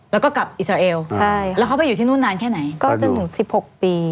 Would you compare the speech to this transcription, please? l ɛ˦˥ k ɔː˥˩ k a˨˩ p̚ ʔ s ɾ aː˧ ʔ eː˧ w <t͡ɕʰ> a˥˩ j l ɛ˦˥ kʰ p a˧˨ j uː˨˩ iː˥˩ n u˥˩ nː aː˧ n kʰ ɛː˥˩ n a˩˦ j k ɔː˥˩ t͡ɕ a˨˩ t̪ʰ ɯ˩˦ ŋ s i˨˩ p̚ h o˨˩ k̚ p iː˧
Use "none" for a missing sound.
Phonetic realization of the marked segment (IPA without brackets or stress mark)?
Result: t͡ɕʰ